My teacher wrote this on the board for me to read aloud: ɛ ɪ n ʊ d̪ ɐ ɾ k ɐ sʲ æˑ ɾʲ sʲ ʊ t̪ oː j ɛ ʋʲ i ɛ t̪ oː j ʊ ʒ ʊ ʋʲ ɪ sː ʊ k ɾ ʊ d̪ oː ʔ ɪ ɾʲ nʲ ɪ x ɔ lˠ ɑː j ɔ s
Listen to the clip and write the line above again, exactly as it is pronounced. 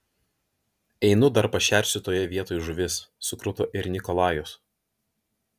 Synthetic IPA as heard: ɛ ɪ n ʊ d̪ ɐ ɾ p ɐ ʃʲ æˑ ɾʲ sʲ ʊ t̪ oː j ɛ ʋʲ i ɛ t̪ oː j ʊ ʒ ʊ ʋʲ ɪ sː ʊ k ɾ ʊ t̪ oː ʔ ɪ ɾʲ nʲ ɪ k ɔ lˠ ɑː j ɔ s